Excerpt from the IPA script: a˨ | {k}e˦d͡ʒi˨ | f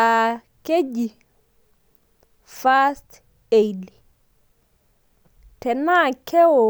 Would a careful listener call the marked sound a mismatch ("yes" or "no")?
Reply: no